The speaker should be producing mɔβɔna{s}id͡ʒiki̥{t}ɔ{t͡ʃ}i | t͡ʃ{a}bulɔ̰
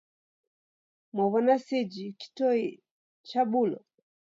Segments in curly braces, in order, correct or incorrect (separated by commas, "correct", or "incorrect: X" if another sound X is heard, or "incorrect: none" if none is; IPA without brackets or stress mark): correct, correct, incorrect: none, correct